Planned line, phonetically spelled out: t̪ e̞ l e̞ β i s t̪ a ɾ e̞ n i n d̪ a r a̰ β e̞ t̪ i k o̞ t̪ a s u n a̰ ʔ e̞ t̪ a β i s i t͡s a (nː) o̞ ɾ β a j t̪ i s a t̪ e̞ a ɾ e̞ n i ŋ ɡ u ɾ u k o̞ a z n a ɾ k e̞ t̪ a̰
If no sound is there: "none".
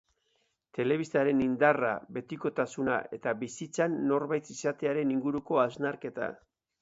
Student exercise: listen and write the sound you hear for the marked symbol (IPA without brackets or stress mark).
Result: nː